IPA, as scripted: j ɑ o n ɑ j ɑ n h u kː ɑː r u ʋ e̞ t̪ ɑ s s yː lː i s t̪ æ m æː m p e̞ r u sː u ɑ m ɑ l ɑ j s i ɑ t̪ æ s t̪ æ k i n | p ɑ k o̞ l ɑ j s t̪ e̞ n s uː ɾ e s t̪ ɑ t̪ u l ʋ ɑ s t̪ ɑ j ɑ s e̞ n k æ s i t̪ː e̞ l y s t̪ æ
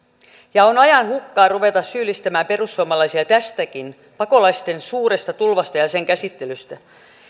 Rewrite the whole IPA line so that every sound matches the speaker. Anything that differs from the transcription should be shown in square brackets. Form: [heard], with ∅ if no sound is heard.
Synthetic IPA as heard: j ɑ o n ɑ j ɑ n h u kː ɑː r u ʋ e̞ t̪ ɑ s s yː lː i s t̪ æ m æː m p e̞ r u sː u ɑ m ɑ l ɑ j s i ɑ t̪ æ s t̪ æ k i n | p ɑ k o̞ l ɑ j s t̪ e̞ n s uː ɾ e s t̪ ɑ t̪ u l ʋ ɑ s t̪ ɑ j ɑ s e̞ [ŋ] k æ s i t̪ː e̞ l y s t̪ æ